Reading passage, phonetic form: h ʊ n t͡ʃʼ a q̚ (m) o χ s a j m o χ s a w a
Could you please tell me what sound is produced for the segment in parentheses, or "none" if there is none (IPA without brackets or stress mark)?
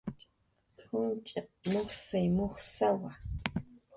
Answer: m